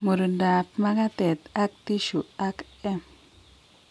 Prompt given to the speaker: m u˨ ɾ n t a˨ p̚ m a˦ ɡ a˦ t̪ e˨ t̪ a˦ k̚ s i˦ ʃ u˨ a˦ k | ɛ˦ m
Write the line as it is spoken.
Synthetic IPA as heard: m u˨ ɾ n d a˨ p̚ m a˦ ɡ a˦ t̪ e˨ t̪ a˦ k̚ t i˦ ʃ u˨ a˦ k | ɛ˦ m